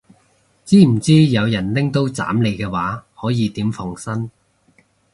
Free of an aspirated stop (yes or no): yes